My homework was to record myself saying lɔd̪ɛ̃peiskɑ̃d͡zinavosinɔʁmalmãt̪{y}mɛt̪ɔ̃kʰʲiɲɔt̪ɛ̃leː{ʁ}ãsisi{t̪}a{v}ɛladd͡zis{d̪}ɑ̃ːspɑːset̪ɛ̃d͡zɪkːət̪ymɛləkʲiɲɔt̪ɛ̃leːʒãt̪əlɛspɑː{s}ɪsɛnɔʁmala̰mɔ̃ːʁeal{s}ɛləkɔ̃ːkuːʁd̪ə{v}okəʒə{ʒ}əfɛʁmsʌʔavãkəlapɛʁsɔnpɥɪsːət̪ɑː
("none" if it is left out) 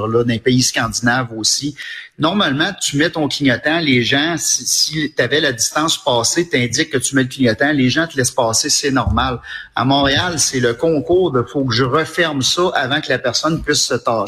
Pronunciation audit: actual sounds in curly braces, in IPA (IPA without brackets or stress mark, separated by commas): y, ʒ, t̪, v, t̪, s, s, f, ʁ